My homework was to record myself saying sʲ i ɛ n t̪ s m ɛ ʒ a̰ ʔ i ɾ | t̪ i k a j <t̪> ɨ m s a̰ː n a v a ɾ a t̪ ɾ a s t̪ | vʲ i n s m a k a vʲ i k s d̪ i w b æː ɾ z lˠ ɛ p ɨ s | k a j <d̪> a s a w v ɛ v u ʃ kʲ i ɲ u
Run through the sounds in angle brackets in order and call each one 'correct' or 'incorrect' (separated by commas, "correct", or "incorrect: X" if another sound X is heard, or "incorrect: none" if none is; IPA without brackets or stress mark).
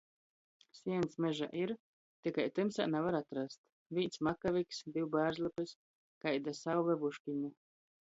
correct, correct